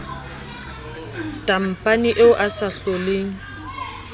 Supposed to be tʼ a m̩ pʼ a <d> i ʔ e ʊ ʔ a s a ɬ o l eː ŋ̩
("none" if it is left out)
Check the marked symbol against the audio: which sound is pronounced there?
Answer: n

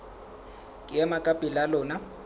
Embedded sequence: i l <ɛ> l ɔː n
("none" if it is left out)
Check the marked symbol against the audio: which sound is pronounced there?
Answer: a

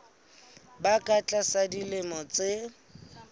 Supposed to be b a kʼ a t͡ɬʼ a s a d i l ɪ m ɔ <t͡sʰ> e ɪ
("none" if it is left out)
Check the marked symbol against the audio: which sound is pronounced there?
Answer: t͡s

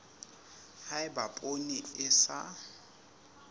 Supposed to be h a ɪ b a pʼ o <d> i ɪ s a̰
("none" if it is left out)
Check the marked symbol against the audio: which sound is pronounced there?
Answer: n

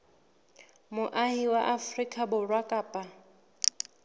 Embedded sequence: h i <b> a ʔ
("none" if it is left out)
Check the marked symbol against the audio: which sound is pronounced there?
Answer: w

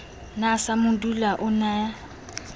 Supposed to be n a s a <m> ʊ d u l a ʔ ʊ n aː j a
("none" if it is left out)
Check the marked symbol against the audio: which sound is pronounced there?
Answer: m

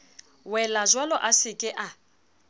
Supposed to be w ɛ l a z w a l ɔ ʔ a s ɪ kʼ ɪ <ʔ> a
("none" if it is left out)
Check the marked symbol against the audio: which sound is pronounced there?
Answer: ʔ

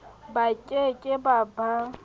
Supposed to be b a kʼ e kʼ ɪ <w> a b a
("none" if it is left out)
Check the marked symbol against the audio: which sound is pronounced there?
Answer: b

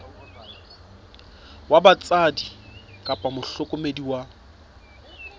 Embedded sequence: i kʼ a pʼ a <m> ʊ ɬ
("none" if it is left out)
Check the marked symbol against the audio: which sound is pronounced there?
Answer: m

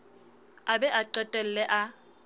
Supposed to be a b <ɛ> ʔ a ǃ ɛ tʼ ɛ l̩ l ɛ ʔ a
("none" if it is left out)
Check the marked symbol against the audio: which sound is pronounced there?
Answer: ɛ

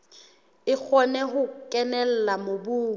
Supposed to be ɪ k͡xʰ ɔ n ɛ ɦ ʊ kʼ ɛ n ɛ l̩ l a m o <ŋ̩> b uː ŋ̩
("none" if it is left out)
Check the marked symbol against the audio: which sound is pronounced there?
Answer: none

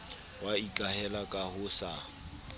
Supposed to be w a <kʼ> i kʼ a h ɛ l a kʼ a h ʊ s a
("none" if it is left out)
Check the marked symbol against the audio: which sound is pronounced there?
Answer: none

